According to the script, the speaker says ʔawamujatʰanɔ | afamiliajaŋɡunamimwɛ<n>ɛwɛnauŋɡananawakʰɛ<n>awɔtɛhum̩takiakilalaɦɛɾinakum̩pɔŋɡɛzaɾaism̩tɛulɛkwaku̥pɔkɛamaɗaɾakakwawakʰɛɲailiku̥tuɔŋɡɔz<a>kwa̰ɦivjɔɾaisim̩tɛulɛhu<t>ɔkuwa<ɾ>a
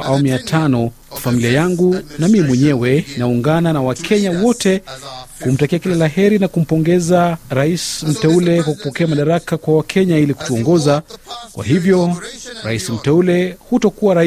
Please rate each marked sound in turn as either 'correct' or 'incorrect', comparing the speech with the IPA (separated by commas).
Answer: incorrect, incorrect, correct, correct, correct